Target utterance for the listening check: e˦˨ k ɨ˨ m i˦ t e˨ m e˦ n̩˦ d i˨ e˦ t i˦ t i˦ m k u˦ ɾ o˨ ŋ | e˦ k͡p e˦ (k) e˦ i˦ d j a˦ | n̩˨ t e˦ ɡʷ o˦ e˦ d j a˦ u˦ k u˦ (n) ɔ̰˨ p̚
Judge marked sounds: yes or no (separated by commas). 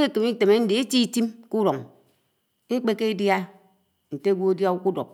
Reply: yes, no